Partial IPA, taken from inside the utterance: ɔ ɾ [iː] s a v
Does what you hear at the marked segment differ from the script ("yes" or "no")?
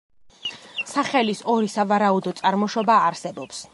yes